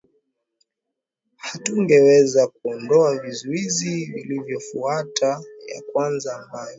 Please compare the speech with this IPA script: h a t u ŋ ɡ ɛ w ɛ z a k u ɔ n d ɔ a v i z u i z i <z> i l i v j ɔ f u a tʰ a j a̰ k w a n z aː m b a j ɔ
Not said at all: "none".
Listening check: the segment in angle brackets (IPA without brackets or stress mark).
v